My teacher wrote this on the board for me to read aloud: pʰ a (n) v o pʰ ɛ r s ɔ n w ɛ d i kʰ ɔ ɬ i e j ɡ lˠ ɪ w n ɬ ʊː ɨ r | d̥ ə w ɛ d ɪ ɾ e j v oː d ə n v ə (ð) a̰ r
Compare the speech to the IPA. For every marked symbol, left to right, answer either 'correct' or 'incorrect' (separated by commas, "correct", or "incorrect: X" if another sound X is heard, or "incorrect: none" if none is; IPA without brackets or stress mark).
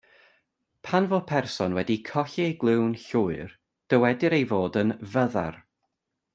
correct, correct